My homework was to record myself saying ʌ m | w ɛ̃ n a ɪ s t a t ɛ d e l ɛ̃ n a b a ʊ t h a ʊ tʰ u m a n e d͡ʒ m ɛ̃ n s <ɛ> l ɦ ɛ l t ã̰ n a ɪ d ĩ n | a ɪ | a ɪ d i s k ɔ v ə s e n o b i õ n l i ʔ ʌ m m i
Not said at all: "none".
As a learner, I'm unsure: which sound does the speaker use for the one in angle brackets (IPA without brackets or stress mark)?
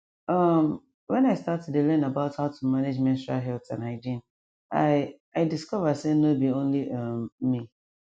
a